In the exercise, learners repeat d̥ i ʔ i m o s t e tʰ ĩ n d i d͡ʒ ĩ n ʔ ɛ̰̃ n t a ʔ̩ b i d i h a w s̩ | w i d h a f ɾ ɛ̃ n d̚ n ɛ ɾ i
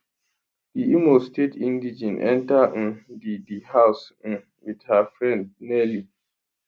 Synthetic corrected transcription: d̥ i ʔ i m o s t e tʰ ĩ n d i d͡ʒ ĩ n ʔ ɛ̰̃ n t a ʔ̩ d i d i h a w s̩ | w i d h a f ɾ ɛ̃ n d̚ n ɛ l i